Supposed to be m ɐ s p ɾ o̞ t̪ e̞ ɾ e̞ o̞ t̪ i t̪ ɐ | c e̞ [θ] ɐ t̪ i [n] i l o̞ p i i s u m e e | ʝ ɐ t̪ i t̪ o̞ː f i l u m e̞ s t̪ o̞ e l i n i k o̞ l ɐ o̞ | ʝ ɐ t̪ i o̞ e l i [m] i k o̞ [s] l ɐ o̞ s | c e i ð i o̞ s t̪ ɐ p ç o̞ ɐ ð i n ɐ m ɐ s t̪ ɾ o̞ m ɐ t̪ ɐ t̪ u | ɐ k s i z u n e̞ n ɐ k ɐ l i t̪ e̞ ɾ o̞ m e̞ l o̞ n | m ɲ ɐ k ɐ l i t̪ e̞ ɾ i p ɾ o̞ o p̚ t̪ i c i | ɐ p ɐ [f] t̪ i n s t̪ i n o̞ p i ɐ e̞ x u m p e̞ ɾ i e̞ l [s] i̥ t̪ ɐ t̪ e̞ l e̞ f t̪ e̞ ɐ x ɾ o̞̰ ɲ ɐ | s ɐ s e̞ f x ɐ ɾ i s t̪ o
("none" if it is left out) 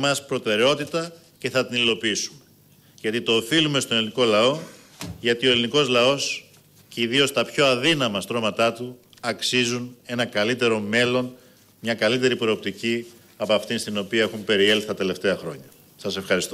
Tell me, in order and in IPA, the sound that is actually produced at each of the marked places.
θ, n, n, z, f, θ

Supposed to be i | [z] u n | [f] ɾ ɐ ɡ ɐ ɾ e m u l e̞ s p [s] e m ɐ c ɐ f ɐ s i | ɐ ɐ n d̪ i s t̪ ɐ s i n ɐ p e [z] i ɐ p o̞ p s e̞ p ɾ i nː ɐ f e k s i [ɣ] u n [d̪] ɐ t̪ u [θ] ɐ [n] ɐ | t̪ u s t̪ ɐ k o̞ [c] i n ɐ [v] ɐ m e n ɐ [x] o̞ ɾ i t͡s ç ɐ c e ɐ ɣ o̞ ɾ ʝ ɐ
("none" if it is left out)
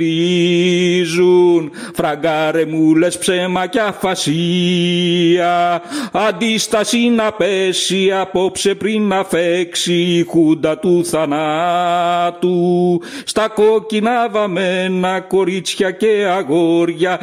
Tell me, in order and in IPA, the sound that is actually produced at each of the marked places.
z, f, s, s, x, d̪, θ, n, c, v, k

